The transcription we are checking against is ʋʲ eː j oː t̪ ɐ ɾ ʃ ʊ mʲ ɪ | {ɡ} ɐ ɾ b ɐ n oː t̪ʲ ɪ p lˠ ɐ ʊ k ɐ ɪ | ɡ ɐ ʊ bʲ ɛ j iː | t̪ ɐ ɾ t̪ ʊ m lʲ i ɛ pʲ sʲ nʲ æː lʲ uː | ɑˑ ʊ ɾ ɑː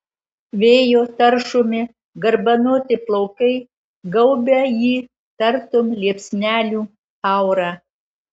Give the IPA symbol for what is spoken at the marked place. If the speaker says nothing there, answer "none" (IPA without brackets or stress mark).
ɡ